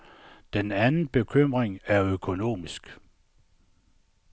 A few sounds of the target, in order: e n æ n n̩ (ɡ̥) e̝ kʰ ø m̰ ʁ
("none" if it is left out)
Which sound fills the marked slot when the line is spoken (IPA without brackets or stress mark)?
b̥